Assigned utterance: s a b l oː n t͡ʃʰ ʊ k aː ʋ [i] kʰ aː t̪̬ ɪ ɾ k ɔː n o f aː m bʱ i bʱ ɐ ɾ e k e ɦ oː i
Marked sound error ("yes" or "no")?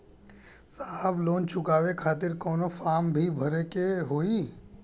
yes